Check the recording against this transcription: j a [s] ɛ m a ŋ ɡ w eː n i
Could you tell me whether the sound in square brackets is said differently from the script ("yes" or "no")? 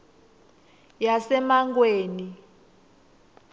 no